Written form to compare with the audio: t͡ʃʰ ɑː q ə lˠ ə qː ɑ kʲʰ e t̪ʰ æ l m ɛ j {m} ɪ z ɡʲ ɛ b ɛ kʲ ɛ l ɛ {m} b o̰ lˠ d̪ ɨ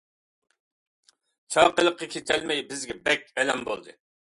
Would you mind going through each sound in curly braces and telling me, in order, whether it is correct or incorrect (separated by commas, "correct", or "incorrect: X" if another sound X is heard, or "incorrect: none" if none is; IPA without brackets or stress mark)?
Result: incorrect: b, correct